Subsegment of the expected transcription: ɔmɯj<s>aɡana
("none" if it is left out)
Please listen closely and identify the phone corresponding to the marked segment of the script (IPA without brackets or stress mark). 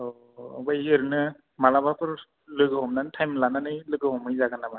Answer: z